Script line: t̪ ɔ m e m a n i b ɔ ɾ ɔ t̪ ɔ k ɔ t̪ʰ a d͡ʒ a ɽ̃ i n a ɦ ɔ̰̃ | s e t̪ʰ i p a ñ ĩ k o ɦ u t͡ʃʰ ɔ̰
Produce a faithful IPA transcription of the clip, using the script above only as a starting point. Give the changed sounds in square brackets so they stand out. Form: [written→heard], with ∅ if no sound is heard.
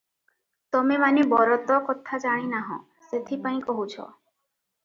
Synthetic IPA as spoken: t̪ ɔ m e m a n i b ɔ ɾ ɔ t̪ ɔ k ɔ t̪ʰ a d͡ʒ a ɽ̃ i n a ɦ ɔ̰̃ | s e t̪ʰ i p a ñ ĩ k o ɦ u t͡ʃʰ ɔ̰